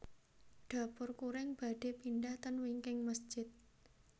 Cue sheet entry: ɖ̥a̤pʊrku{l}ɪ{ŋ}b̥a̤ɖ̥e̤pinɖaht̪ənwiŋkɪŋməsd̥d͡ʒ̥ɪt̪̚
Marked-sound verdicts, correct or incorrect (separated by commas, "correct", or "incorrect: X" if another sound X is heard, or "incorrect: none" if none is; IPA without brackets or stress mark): incorrect: ɾ, correct